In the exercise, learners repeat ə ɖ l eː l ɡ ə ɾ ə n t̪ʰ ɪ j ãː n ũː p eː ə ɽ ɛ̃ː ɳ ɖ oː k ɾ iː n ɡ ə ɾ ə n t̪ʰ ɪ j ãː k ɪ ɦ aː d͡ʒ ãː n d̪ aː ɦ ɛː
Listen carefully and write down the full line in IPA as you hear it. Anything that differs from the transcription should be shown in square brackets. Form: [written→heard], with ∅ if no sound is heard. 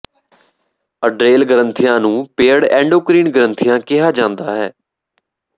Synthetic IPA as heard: ə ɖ [l→ɾ] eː l ɡ ə ɾ ə n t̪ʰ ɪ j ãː n ũː p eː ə ɽ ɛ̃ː ɳ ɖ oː k ɾ iː n ɡ ə ɾ ə n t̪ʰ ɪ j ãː k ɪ ɦ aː d͡ʒ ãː n d̪ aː ɦ ɛː